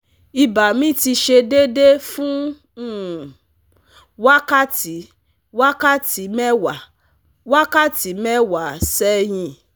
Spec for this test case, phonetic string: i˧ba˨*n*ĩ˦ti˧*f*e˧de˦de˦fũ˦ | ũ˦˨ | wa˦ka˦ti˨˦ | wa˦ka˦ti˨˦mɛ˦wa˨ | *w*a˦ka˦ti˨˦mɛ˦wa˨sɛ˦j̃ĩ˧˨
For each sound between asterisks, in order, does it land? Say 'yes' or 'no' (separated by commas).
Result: no, no, yes